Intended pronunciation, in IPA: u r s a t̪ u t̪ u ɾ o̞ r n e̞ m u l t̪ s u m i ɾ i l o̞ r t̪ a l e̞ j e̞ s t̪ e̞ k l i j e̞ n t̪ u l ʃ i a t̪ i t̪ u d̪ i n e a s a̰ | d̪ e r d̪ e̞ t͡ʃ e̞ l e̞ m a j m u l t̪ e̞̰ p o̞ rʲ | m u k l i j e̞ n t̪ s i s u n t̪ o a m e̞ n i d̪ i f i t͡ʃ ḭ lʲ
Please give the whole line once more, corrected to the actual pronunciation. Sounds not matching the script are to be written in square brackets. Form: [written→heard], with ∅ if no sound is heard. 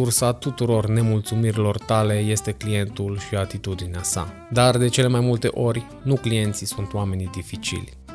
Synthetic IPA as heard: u r s a t̪ u t̪ u ɾ o̞ r n e̞ m u l t̪ s u m i ɾ i l o̞ r t̪ a l e̞ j e̞ s t̪ e̞ k l i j e̞ n t̪ u l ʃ i a t̪ i t̪ u d̪ i n e a s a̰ | d̪ [e→a] r d̪ e̞ t͡ʃ e̞ l e̞ m a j m u l t̪ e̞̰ [p→ʔ] o̞ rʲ | [m→n] u k l i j e̞ n t̪ s i s u n t̪ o a m e̞ n i d̪ i f i t͡ʃ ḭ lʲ